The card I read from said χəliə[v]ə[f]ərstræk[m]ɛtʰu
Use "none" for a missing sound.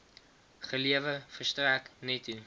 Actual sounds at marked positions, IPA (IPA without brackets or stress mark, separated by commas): v, f, n